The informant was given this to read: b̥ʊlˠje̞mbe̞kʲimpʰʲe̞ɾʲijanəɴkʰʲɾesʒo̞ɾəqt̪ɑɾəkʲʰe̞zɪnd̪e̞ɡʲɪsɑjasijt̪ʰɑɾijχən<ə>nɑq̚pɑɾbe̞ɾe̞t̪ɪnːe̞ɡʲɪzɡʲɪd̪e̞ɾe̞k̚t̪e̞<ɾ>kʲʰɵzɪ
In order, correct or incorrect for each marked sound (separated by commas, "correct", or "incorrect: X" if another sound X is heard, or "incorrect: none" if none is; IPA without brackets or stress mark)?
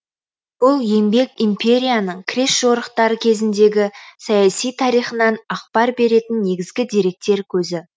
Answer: incorrect: ɑ, correct